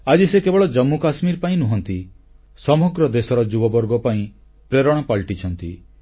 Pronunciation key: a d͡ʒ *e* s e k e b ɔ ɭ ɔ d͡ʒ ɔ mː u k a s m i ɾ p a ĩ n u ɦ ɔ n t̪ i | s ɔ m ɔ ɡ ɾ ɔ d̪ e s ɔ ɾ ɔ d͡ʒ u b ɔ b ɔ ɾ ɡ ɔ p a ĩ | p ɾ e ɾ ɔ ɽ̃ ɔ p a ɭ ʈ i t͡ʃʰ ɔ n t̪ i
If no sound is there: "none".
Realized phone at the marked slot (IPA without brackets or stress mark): i